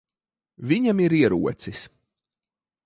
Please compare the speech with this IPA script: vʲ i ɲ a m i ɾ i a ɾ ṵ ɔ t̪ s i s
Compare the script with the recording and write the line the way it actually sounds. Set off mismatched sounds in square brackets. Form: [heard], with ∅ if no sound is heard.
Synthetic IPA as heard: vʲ i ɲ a m i ɾ i [ɛ] ɾ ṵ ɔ t̪ s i s